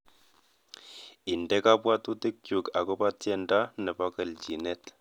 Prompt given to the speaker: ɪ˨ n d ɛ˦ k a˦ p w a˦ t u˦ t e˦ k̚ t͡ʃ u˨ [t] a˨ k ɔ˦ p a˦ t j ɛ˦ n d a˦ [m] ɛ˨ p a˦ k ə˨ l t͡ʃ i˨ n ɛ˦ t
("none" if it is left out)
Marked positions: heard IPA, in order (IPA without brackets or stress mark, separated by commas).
k, n